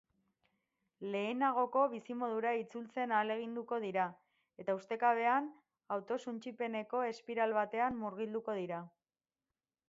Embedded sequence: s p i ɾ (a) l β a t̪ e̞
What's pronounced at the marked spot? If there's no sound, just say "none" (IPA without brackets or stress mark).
a